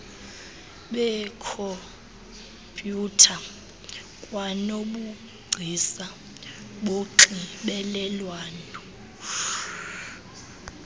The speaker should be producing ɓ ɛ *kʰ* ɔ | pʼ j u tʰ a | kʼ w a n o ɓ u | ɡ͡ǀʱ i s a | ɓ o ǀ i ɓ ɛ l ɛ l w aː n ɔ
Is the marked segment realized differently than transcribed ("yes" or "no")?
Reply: no